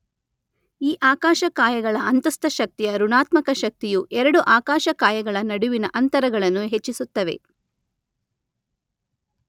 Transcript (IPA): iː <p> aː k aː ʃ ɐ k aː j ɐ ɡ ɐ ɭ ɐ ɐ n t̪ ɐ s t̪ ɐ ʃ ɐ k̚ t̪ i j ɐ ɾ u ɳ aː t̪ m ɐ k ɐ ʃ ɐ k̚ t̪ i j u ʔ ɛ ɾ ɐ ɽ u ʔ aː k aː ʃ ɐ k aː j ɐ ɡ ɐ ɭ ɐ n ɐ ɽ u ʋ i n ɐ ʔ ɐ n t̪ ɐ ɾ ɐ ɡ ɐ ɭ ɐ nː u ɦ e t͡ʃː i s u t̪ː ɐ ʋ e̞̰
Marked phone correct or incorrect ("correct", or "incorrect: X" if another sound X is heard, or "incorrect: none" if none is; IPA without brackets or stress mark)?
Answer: incorrect: ʔ